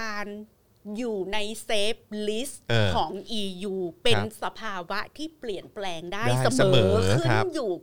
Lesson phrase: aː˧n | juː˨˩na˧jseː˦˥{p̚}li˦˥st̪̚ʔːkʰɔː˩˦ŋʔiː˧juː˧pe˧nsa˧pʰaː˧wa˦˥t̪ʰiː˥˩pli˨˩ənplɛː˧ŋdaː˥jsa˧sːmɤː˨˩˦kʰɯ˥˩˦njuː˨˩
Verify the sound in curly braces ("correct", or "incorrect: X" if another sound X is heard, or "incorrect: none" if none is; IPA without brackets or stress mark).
correct